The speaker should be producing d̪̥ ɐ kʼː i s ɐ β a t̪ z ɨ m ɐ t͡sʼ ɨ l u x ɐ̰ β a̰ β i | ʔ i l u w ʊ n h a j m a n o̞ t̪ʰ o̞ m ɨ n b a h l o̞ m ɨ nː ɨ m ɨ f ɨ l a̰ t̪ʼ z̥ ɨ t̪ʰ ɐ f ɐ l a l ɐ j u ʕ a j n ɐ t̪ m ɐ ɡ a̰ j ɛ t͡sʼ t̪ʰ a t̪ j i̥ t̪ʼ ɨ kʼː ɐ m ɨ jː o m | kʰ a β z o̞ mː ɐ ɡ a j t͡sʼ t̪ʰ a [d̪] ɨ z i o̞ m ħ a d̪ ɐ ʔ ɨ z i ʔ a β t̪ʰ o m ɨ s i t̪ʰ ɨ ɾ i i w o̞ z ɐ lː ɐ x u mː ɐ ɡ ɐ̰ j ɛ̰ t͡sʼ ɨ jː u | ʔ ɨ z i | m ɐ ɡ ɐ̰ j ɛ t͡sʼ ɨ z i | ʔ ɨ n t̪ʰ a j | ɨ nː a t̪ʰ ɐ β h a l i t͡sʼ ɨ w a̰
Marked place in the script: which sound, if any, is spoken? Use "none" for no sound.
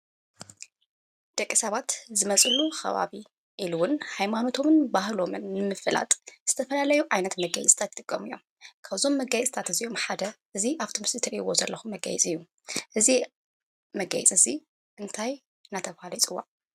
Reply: t̪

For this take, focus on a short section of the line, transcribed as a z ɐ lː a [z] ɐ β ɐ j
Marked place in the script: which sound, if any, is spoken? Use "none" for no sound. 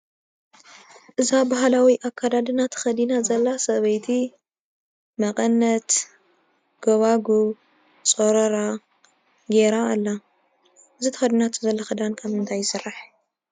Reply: s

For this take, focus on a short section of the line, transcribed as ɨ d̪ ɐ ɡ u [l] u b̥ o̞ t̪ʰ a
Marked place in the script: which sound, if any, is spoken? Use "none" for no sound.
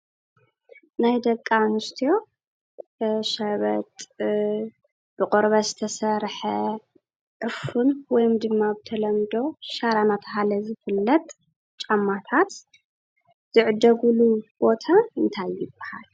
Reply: l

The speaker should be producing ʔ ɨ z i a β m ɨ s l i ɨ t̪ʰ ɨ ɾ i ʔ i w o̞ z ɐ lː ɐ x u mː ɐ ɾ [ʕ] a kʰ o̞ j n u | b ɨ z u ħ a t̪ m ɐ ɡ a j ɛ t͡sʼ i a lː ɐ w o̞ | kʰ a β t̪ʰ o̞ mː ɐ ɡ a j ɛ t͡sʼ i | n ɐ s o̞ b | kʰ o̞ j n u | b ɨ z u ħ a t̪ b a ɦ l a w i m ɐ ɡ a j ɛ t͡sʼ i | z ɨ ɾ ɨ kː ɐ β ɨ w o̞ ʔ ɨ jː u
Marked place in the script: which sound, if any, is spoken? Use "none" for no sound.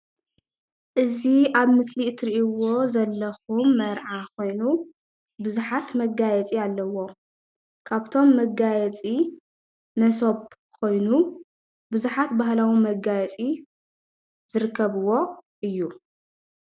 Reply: ʕ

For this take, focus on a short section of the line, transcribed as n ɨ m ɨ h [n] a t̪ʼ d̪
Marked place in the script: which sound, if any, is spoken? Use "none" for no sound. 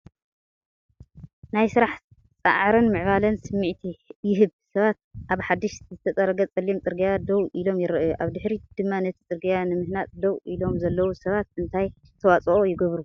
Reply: n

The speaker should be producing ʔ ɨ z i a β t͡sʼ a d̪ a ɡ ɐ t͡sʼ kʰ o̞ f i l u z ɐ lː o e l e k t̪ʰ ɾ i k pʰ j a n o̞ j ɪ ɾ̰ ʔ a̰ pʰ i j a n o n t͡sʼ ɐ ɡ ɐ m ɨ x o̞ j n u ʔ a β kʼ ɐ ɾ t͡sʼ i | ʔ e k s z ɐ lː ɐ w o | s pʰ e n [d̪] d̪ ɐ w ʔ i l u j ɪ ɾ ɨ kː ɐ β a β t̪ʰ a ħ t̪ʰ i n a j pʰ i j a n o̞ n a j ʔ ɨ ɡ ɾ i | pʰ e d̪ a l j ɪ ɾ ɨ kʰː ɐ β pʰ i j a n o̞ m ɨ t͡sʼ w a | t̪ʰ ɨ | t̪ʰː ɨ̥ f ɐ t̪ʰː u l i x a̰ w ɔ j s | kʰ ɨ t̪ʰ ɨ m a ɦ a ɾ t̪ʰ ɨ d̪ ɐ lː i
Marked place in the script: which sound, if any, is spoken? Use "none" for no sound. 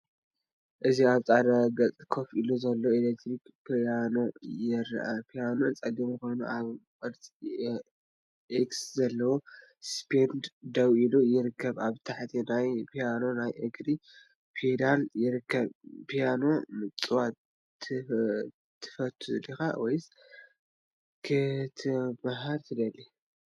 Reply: d̪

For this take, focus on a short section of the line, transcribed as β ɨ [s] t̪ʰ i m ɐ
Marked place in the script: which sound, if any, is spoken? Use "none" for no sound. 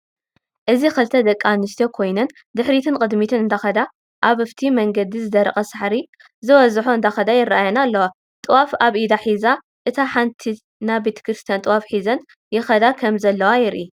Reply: f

